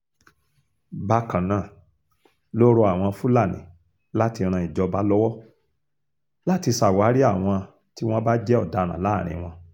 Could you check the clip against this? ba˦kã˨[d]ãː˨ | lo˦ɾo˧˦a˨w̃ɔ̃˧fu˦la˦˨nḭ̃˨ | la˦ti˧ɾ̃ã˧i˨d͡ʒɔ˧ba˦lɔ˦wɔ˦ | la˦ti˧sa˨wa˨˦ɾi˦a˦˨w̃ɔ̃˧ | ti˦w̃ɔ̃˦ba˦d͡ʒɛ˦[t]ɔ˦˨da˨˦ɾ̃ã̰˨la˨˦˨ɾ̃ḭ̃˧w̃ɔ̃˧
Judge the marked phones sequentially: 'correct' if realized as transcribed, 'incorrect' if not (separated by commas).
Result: incorrect, incorrect